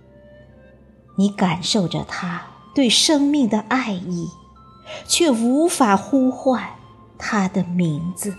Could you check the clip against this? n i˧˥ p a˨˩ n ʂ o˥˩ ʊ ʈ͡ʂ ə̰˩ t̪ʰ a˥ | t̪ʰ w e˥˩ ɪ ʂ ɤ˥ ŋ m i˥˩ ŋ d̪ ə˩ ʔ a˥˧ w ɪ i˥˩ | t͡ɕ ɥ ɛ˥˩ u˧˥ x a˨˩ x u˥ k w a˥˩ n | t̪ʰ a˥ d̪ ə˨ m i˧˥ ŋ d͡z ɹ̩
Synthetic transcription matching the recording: n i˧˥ k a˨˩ n ʂ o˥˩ ʊ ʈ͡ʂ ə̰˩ t̪ʰ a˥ | t̪ w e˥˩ ɪ ʂ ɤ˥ ŋ m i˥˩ ŋ d̪ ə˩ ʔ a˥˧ ɪ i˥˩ | t͡ɕʰ ɥ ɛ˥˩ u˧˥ f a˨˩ x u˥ x w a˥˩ n | t̪ʰ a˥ d̪ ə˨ m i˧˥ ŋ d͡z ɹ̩